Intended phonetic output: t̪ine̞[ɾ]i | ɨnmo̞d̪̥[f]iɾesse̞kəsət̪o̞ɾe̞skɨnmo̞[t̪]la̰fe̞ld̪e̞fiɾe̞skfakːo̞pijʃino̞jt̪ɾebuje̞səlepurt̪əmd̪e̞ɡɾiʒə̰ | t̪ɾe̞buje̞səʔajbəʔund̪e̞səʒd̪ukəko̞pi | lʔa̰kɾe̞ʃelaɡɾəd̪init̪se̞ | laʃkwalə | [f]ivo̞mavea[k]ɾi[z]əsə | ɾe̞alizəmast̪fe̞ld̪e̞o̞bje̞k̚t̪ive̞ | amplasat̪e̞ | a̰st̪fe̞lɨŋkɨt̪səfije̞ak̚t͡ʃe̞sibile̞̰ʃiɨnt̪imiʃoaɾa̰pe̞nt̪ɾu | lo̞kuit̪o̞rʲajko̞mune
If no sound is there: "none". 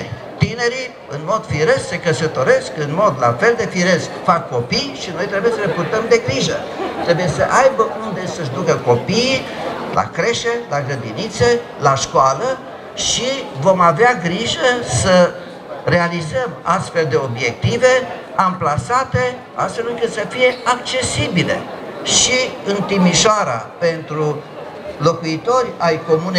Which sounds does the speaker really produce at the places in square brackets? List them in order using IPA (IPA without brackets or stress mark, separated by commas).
ɾ, f, d̪, ʃ, ɡ, ʒ